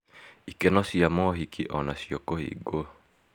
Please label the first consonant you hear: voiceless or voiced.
voiceless